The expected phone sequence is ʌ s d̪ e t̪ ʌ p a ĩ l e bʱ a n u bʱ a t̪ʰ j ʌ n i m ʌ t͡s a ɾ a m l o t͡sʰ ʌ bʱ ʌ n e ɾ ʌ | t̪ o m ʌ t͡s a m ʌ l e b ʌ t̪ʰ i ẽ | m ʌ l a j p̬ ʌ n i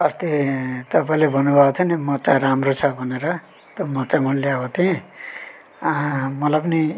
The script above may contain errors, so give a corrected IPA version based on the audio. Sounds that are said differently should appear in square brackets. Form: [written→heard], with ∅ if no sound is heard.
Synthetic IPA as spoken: ʌ s [d̪→t̪] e t̪ ʌ p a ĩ l e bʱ [a→ʌ] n u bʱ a t̪ʰ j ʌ n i m ʌ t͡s a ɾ a m [l→r] o t͡sʰ ʌ bʱ ʌ n e ɾ ʌ | t̪ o m ʌ t͡s a m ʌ l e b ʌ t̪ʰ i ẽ | m ʌ l a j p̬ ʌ n i